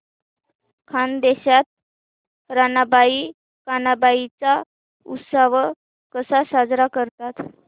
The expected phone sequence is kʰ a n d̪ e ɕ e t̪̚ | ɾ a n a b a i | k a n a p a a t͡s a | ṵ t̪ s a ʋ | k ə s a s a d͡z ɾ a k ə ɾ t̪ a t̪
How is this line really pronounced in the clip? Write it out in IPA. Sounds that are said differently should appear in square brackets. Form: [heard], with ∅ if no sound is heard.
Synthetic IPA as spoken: kʰ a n d̪ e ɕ [a] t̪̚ | ɾ a n a b a i | k a n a [b] a [i] t͡s a | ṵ t̪ s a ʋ | k ə s a s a d͡z ɾ a k ə ɾ t̪ a t̪